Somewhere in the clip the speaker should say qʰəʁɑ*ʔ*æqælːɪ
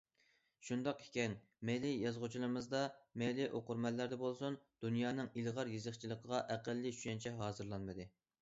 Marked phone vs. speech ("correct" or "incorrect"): correct